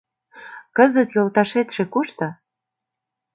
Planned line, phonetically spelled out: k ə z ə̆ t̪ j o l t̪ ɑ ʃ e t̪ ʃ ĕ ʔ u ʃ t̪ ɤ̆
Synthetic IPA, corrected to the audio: k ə z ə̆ t̪ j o l t̪ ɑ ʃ e t̪ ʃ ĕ k u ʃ t̪ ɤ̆